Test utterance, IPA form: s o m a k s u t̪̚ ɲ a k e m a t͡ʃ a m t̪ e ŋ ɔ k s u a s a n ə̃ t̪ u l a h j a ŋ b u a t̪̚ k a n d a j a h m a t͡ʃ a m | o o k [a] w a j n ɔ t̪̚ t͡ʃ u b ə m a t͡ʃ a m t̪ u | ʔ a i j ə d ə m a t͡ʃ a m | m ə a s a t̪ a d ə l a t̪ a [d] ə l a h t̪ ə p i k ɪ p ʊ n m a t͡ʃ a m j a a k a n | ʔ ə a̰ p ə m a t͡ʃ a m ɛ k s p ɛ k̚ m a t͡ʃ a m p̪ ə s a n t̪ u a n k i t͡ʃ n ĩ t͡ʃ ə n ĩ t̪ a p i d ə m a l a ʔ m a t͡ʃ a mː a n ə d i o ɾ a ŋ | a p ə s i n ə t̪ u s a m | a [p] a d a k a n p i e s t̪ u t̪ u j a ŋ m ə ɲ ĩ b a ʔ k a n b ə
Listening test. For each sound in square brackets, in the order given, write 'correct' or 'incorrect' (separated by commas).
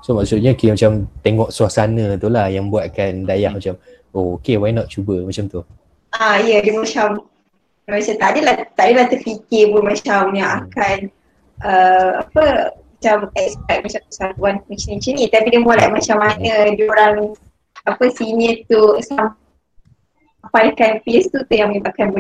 incorrect, correct, correct